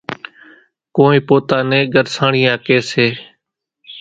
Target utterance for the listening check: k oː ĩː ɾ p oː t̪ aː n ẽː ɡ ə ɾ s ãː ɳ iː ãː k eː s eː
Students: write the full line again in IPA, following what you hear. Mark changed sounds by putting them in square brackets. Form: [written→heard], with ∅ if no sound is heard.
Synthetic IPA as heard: k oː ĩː [ɾ→∅] p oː t̪ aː n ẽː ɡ ə ɾ s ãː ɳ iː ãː k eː s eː

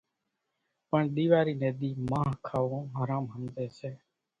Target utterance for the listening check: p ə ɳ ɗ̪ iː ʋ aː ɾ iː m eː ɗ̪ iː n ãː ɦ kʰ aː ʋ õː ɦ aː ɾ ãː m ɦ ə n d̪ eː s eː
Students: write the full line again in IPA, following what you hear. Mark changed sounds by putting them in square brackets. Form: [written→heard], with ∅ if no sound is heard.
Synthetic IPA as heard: p ə ɳ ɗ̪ iː ʋ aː ɾ iː [m→n] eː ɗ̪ iː [n→m] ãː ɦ kʰ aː ʋ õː ɦ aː ɾ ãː m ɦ ə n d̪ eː s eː

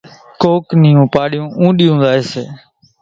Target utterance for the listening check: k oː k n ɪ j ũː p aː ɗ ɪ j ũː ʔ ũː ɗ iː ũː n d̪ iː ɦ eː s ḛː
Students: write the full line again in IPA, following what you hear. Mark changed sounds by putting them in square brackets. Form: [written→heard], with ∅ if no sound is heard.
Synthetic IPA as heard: k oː k n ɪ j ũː p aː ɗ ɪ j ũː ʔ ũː ɗ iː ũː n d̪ [iː→aː] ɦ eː s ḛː

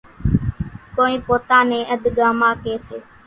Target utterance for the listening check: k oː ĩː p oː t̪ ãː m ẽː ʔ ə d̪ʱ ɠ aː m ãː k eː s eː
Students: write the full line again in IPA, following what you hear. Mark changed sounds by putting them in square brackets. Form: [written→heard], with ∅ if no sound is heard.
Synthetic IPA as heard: k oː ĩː p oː t̪ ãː [m→n] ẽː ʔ ə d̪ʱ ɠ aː m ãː k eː s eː

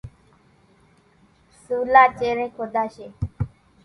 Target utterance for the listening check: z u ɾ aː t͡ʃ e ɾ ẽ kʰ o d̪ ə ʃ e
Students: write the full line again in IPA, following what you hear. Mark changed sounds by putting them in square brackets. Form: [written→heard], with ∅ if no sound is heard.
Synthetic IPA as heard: [z→s] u [ɾ→l] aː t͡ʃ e ɾ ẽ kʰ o d̪ [ə→a] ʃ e

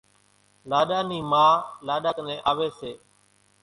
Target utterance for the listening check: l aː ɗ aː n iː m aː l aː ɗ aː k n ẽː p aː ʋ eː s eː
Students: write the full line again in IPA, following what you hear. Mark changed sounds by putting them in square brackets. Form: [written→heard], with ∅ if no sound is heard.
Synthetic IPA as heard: l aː ɗ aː n iː m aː l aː ɗ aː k n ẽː [p→ʔ] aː ʋ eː s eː

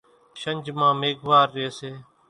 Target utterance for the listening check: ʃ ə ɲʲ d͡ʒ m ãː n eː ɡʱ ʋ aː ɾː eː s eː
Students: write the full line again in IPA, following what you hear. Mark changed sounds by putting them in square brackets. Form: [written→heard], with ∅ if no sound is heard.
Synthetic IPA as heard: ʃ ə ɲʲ d͡ʒ m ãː [n→m] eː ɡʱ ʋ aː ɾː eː s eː

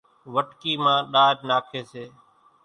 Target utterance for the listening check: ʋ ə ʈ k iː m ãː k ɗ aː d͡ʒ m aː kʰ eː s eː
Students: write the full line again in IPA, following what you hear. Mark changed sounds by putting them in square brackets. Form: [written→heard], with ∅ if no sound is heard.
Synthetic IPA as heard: ʋ ə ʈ k iː m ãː [k→∅] ɗ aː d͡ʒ [m→n] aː kʰ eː s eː

